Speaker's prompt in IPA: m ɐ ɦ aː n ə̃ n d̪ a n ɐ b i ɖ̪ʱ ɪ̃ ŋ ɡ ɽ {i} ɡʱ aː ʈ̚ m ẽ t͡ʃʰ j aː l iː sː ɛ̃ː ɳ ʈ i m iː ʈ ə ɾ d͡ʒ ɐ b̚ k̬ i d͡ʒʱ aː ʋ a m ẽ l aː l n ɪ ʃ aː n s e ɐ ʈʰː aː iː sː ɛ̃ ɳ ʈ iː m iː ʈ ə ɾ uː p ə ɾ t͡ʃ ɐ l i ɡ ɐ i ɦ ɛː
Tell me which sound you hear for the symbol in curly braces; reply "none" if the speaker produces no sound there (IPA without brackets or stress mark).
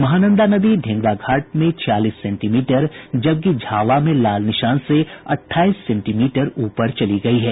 a